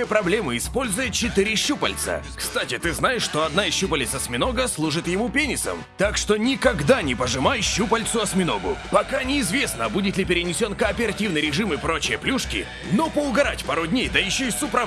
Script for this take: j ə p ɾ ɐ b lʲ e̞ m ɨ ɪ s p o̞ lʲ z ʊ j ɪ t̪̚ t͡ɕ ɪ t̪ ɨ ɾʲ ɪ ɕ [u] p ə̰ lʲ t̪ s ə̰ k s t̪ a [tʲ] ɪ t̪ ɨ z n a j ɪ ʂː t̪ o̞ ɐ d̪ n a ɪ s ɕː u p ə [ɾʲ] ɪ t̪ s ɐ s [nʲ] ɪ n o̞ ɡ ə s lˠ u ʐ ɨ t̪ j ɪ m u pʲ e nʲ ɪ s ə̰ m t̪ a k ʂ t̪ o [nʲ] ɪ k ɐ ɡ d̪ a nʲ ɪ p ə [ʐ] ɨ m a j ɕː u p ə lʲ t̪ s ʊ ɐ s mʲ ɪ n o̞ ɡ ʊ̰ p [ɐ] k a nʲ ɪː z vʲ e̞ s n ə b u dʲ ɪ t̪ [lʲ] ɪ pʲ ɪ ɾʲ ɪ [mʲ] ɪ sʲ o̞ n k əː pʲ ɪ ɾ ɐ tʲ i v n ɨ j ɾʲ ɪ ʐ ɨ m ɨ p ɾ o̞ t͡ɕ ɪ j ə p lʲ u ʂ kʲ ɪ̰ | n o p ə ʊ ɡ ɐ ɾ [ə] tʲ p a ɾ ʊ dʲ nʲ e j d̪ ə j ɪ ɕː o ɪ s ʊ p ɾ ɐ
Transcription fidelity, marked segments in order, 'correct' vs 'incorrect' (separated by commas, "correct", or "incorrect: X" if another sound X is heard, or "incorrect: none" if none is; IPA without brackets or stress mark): correct, correct, incorrect: lʲ, incorrect: mʲ, correct, correct, correct, correct, incorrect: nʲ, incorrect: a